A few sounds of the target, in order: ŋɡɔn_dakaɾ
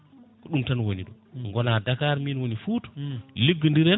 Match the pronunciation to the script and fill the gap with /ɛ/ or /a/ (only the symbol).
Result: a